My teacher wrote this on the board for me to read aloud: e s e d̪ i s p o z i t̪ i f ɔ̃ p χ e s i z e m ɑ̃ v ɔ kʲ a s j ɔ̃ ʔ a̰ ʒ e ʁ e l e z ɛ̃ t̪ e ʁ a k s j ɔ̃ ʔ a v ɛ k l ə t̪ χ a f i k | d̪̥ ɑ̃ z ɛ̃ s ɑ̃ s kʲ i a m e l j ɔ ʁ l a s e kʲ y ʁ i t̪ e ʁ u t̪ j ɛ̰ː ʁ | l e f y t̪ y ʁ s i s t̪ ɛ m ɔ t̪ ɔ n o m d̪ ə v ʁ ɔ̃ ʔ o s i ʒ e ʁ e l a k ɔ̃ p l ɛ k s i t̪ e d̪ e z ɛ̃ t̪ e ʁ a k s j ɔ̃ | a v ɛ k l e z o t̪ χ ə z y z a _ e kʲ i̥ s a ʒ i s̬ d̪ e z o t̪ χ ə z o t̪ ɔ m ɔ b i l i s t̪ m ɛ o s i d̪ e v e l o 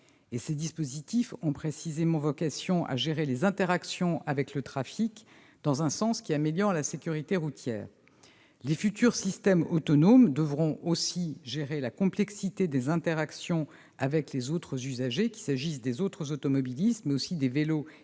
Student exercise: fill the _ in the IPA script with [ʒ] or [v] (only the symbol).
ʒ